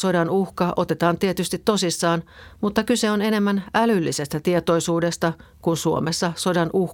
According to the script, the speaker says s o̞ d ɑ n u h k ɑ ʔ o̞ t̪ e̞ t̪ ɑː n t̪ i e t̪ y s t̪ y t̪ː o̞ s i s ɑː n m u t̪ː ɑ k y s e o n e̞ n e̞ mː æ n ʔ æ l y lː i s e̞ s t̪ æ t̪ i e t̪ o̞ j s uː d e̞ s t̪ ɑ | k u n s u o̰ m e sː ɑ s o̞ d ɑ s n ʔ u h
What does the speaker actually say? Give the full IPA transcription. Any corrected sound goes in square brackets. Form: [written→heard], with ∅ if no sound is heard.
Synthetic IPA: s o̞ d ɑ n u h k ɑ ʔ o̞ t̪ e̞ t̪ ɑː n t̪ i e t̪ y s t̪ [y→i] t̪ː o̞ s i [s→sː] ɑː n m u t̪ː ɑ k y s e o n e̞ n e̞ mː æ n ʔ æ l y lː i s e̞ s t̪ æ t̪ i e t̪ o̞ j s uː d e̞ s t̪ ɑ | k u n s u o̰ m e sː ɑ s o̞ d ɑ [s→∅] n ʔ u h